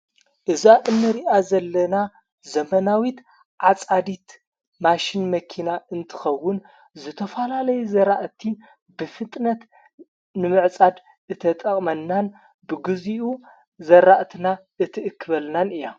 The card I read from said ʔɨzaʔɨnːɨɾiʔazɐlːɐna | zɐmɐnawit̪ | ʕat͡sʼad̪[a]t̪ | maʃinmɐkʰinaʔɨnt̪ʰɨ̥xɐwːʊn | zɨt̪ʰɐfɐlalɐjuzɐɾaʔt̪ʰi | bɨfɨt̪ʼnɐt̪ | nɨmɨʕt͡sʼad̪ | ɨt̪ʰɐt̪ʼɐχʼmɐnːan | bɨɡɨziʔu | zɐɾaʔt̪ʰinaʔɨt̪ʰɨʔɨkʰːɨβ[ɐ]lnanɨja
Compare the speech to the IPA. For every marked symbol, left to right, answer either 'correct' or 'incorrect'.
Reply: incorrect: i, correct

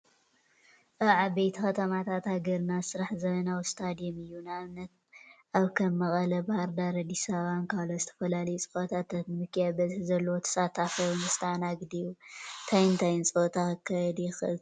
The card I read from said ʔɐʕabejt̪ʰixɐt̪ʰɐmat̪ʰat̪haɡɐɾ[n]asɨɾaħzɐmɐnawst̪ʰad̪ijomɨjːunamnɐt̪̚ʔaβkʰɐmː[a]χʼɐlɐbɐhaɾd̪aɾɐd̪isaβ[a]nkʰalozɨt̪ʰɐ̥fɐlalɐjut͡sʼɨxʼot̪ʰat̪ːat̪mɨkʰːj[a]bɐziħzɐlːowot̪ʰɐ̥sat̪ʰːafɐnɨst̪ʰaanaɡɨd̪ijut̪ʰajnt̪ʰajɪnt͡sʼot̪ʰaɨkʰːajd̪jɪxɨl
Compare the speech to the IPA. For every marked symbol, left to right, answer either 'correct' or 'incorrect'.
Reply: correct, incorrect: ɐ, correct, correct

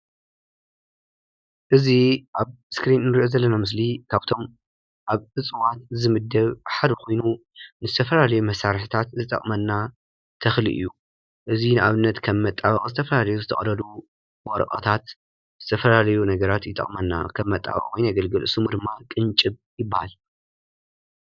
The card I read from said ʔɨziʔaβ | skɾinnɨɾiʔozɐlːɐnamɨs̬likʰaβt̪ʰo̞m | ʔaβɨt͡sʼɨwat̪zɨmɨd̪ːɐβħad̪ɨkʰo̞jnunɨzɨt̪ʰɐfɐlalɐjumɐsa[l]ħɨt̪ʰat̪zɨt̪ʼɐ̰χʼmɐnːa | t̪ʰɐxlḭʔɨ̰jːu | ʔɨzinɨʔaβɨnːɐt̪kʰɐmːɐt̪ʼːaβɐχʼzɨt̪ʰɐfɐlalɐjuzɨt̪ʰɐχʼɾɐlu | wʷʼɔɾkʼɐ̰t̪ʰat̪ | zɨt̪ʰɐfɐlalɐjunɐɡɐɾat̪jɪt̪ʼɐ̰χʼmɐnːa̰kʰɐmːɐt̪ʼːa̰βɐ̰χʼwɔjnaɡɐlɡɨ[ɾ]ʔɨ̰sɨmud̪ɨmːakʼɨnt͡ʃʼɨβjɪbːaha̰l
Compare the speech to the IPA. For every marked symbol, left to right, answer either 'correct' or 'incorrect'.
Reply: incorrect: ɾ, incorrect: l

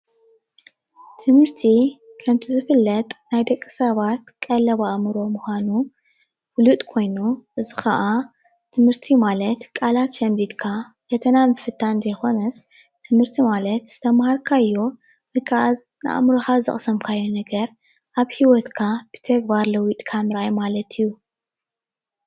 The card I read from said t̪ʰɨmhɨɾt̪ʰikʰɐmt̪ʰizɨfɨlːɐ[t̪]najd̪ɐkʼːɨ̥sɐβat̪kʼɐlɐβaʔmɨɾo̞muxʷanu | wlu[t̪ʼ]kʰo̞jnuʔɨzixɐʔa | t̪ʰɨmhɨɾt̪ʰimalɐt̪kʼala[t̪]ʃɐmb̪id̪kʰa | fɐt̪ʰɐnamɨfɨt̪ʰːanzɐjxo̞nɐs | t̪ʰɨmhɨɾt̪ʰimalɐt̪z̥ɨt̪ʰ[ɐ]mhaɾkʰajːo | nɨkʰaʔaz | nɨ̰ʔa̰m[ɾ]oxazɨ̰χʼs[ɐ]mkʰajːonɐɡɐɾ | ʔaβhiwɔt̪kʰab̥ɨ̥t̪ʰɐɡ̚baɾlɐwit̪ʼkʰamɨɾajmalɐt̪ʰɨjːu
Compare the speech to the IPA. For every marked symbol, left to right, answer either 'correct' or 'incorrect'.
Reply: incorrect: t̪ʼ, correct, correct, correct, correct, correct

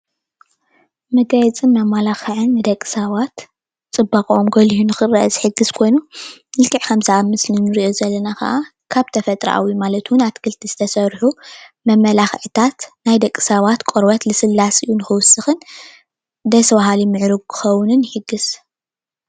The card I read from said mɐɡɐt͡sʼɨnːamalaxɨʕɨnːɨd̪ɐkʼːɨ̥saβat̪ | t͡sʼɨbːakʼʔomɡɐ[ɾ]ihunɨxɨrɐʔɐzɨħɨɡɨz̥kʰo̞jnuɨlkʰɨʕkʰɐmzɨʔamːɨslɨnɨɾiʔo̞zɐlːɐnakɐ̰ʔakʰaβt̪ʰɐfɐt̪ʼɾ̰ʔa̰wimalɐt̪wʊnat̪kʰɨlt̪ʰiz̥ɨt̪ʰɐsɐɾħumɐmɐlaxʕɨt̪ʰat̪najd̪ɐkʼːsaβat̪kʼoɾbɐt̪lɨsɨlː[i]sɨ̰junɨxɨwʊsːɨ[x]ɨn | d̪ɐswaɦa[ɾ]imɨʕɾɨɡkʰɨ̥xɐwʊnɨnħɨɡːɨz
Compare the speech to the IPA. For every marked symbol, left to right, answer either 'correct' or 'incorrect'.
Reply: incorrect: l, incorrect: a, correct, incorrect: l

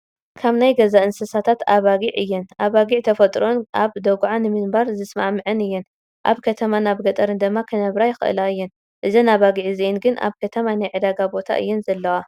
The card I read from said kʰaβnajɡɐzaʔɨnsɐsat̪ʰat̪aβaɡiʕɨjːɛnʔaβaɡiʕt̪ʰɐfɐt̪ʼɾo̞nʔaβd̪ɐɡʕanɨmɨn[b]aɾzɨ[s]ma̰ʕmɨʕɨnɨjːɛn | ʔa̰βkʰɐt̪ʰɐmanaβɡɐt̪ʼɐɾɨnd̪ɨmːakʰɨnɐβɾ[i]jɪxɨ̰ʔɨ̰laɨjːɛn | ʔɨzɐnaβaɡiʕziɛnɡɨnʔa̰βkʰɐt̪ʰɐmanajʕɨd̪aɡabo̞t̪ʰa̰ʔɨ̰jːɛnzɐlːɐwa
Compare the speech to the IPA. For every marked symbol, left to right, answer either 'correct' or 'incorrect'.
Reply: correct, correct, incorrect: a

